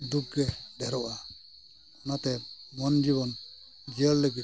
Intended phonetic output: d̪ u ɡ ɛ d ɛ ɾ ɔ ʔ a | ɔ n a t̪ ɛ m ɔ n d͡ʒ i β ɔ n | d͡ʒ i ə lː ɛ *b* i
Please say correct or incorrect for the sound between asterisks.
incorrect